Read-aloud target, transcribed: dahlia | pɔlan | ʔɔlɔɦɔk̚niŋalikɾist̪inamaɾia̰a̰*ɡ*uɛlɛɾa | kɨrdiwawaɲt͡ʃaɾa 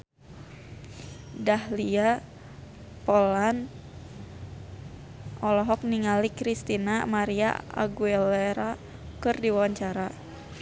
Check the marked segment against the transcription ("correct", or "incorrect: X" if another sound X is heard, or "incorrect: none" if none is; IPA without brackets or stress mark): correct